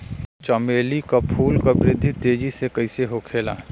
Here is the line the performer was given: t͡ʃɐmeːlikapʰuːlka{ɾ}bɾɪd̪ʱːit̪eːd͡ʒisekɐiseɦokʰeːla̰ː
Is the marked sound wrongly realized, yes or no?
yes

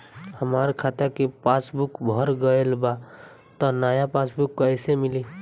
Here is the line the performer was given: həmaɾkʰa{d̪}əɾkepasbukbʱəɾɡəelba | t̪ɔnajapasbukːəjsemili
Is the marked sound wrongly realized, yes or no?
yes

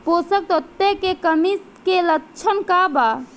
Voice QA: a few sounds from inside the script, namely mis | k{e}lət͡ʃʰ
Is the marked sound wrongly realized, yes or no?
no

